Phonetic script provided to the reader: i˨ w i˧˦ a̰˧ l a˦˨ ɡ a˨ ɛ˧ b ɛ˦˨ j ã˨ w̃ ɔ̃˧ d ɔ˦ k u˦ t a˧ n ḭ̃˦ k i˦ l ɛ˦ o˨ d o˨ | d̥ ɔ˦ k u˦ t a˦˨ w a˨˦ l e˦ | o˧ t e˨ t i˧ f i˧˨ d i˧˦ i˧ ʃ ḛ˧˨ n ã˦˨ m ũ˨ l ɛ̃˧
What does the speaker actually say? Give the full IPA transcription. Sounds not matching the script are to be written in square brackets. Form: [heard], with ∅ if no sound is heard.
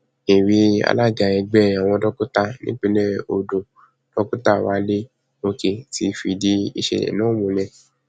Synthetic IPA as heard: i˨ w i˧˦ a̰˧ l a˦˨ ɡ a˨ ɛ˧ [ɡ͡b] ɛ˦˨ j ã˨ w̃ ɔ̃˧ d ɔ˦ k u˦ t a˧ n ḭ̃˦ [k͡p] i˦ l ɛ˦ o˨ d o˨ | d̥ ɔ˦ k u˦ t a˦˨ w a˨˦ l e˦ | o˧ [k] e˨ t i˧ f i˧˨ d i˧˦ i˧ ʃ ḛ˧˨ n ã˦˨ m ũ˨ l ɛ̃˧